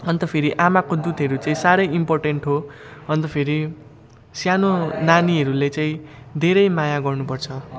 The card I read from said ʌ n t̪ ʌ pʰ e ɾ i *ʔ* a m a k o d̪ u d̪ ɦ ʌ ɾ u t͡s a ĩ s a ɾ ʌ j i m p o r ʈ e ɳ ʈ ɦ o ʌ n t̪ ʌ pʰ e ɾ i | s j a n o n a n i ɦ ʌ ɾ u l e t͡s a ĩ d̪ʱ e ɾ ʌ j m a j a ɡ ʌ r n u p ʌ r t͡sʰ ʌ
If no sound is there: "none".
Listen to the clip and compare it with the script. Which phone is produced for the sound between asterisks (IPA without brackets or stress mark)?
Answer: ʔ